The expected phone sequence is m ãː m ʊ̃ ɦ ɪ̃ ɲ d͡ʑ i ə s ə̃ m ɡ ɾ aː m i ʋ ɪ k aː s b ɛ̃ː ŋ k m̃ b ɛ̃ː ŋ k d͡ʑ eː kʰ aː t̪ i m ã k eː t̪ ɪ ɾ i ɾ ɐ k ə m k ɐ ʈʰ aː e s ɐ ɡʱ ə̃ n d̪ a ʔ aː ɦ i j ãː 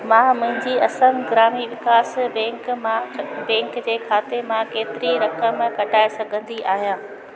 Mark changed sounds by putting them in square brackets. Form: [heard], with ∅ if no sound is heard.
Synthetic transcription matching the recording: m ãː m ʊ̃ ɦ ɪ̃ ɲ d͡ʑ i [ɐ] s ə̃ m ɡ ɾ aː m i ʋ ɪ k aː s b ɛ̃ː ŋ k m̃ b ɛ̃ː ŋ k d͡ʑ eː kʰ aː t̪ [e] m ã k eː t̪ ɪ ɾ i ɾ ɐ k ə m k ɐ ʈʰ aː e s ɐ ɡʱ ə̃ n d̪ [i] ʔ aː ɦ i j ãː